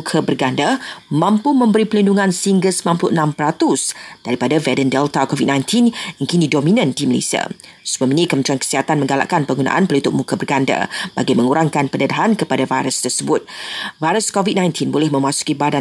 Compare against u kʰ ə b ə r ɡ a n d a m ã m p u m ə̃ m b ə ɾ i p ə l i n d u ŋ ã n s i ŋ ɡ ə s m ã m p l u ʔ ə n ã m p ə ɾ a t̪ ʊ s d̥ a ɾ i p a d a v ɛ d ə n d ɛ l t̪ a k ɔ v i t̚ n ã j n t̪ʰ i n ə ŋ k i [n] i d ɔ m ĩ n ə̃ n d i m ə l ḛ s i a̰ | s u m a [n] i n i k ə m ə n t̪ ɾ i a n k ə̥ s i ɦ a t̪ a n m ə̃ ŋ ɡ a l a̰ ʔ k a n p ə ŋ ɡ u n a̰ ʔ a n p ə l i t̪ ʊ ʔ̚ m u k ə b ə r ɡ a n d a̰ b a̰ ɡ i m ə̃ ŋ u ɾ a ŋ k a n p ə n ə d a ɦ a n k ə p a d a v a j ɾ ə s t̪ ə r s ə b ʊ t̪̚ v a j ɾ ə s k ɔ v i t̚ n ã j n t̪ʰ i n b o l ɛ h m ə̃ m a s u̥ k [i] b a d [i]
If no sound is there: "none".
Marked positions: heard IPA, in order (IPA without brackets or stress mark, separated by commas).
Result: n, m, i, a